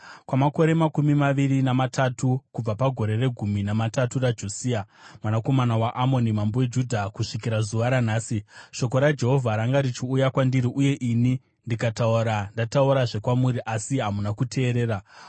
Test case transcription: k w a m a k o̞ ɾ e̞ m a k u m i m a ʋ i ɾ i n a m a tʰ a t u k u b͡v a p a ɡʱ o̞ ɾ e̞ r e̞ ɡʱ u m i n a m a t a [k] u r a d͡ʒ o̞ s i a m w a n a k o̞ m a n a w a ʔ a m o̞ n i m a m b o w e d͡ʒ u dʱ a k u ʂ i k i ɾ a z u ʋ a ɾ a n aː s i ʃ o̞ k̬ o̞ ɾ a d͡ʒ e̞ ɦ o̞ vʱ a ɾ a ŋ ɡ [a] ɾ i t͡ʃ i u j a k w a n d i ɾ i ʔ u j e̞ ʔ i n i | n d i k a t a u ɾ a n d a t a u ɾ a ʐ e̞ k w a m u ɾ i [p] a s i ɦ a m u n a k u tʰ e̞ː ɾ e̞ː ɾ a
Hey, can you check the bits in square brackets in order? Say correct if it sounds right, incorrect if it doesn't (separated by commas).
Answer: incorrect, correct, incorrect